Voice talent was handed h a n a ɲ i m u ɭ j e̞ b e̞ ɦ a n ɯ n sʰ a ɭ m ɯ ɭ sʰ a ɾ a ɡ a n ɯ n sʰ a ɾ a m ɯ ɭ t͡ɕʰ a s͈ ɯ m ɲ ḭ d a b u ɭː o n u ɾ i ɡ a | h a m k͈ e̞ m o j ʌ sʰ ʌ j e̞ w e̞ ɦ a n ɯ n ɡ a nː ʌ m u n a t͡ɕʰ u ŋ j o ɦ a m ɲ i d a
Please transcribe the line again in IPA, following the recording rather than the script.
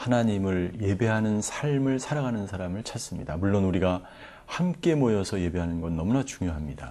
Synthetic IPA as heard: h a n a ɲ i m ɯ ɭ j e̞ b e̞ ɦ a n ɯ n sʰ a ɭ m ɯ ɭ sʰ a ɾ a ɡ a n ɯ n sʰ a ɾ a m ɯ ɭ t͡ɕʰ a s͈ ɯ m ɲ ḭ d a m u ɭː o n u ɾ i ɡ a | h a m k͈ e̞ m o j ʌ sʰ ʌ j e̞ b e̞ ɦ a n ɯ n ɡ ʌ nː ʌ m u n a t͡ɕ u ŋ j o ɦ a m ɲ i d a